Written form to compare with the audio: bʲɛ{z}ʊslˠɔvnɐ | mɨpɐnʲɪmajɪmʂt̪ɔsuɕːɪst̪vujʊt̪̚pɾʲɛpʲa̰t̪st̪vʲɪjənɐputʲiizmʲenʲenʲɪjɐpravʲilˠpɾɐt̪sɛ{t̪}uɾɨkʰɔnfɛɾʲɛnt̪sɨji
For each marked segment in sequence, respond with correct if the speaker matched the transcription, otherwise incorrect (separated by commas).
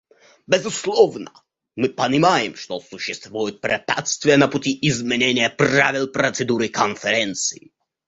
correct, incorrect